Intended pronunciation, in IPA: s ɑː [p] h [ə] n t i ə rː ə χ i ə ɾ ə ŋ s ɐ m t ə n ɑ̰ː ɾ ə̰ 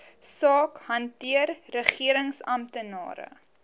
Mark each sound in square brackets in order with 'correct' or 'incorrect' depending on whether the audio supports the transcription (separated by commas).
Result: incorrect, incorrect